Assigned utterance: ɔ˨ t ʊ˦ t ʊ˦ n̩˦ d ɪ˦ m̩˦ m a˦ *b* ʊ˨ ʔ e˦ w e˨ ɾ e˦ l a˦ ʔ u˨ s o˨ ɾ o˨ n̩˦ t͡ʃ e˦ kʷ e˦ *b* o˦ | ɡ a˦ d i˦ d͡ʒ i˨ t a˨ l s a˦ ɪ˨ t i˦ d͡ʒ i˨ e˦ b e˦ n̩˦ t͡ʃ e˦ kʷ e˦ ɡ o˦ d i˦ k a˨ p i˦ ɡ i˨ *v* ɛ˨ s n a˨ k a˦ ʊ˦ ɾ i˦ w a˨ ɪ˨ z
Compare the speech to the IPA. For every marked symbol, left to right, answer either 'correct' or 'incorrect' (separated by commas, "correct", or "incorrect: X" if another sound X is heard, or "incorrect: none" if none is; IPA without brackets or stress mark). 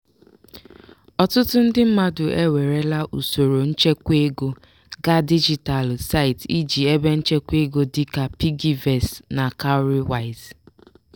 incorrect: d, incorrect: ɡ, correct